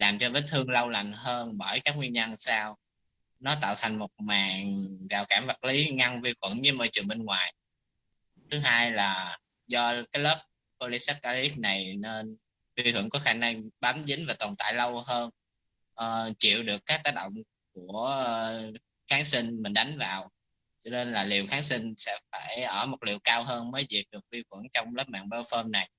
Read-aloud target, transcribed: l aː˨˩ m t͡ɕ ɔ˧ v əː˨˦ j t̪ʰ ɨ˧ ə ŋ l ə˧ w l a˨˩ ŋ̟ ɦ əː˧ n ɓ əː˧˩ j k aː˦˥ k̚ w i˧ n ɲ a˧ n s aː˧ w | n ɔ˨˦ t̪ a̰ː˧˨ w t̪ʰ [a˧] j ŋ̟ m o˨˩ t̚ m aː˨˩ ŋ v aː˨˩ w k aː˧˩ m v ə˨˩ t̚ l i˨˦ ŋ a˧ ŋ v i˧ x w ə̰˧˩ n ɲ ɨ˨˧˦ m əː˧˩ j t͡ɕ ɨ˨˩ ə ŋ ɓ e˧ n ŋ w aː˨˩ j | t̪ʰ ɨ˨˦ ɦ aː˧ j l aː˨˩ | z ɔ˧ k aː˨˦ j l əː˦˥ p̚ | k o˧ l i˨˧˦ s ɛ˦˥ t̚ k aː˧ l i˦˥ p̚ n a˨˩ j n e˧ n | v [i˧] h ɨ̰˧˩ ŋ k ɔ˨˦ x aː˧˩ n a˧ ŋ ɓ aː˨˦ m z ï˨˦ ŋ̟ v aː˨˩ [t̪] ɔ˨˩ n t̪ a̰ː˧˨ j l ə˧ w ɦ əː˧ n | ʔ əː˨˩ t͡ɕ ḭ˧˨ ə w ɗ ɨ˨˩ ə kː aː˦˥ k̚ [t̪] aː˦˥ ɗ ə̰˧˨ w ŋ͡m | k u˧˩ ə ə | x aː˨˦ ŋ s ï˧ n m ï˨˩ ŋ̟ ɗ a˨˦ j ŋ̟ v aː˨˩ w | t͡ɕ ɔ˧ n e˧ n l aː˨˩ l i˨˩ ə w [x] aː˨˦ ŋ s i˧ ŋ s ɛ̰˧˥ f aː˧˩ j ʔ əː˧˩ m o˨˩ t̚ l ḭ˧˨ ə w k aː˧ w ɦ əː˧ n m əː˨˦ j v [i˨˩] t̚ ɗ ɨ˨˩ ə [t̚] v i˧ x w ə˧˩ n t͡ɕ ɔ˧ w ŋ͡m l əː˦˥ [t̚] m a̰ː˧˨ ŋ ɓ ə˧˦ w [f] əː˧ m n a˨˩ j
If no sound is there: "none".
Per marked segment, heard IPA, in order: a˨˩, i˧, t̪, t̪, x, i˨˩, k̚, p̚, f

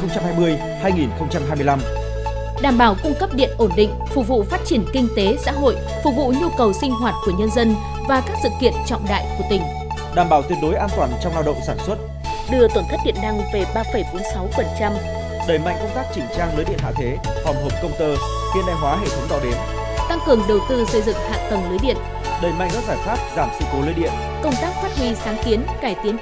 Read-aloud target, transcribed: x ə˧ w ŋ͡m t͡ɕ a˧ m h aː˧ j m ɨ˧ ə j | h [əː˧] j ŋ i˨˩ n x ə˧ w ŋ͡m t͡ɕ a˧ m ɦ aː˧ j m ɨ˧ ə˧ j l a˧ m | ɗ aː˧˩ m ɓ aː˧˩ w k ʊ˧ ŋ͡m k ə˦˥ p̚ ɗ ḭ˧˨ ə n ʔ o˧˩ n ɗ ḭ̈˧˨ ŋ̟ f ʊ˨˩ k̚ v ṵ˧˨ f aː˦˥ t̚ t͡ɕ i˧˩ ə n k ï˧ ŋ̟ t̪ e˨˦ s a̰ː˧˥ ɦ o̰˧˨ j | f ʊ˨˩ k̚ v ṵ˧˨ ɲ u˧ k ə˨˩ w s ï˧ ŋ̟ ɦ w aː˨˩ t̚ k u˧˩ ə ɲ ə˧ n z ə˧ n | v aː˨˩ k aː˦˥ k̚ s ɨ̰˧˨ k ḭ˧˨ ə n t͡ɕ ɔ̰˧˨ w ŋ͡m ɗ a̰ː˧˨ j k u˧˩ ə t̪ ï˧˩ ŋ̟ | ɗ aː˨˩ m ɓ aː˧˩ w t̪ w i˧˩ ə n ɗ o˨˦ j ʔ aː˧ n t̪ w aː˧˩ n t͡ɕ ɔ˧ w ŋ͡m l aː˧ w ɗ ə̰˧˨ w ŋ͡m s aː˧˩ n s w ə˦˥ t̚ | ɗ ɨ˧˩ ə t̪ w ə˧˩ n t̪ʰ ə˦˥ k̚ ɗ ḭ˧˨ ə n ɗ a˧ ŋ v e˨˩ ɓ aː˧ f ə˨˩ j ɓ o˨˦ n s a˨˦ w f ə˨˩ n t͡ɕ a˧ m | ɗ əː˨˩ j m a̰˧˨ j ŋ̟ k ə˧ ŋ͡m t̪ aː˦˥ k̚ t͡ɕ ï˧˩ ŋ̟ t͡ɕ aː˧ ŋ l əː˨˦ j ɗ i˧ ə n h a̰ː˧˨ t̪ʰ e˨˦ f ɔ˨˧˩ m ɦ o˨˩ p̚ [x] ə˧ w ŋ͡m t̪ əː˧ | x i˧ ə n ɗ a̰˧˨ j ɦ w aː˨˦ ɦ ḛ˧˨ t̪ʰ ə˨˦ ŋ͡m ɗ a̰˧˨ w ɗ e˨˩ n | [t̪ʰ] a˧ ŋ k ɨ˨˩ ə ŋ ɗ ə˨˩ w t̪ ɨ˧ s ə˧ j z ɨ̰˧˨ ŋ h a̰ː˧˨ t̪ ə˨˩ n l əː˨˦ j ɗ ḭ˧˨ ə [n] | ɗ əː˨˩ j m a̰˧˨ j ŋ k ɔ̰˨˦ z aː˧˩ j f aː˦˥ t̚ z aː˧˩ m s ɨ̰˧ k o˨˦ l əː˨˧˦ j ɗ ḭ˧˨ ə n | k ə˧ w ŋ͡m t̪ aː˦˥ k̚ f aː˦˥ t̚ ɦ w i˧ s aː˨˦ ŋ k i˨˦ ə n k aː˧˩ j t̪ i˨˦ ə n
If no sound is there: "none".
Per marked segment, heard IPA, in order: aː˧, k, t̪, n

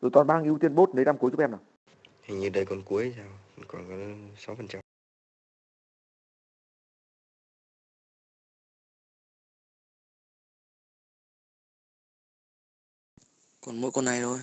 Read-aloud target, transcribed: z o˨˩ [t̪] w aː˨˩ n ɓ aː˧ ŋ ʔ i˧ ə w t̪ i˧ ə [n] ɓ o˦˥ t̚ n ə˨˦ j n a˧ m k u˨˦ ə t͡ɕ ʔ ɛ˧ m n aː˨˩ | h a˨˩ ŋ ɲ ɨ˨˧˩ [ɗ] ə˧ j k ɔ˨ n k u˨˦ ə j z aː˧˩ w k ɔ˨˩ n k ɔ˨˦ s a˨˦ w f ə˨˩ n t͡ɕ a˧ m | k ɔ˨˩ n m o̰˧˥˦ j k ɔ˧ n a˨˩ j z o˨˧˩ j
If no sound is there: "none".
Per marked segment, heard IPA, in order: t̪, n, ɗ

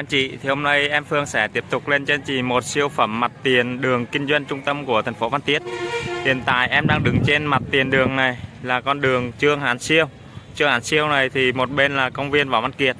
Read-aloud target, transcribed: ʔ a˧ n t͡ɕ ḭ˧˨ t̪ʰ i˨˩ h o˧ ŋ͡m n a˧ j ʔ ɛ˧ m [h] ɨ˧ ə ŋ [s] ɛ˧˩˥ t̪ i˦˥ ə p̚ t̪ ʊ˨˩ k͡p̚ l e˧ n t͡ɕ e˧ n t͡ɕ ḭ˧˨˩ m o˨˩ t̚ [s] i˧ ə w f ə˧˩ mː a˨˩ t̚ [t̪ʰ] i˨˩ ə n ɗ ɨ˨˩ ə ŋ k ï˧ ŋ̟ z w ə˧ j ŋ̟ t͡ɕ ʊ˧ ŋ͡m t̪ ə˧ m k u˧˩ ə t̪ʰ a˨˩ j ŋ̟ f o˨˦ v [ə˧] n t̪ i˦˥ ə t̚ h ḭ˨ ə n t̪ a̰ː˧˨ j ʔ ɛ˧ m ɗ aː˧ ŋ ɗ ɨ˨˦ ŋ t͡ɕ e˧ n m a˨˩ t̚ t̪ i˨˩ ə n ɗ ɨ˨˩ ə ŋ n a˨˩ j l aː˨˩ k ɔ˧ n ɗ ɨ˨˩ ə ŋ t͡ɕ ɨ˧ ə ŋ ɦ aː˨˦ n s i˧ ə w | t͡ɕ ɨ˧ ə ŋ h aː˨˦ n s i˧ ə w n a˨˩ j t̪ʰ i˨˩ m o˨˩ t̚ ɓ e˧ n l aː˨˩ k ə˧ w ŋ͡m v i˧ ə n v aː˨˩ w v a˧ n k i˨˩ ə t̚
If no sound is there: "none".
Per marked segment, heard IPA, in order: f, s, s, t̪, a˧

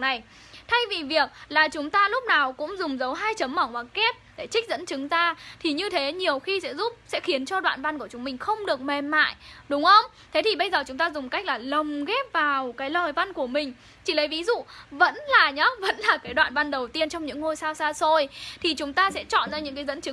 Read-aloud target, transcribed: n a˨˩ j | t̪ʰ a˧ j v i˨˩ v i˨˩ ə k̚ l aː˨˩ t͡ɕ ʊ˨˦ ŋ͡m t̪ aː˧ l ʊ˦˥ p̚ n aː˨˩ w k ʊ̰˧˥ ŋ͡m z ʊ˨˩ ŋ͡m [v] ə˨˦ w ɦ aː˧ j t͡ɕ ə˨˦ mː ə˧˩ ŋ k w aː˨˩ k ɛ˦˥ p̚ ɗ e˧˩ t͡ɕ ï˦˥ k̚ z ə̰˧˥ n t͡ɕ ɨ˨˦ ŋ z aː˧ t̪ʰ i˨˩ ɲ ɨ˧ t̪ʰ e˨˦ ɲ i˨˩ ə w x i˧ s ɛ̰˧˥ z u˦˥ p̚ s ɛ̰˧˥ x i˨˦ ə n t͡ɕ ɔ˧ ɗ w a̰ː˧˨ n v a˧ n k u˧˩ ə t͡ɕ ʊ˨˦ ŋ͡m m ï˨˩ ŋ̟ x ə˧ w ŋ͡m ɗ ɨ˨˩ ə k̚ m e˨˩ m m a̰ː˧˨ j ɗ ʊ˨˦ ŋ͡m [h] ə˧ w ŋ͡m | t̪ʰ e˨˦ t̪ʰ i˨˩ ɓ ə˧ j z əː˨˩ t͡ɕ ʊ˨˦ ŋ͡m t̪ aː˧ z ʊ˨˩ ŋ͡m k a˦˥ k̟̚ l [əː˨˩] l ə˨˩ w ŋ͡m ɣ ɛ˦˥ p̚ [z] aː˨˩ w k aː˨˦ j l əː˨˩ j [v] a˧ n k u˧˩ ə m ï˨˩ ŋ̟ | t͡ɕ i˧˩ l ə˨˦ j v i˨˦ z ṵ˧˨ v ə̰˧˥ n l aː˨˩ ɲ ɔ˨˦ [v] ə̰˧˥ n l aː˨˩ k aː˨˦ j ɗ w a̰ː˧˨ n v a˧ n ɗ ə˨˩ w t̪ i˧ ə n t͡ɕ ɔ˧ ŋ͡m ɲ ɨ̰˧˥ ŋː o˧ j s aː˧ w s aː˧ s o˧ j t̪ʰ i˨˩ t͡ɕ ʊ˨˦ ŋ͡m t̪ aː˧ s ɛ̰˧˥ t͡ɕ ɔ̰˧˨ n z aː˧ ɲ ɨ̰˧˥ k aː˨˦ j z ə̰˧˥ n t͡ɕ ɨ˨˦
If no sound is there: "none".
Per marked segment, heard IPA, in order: z, x, aː˨˩, v, v, v

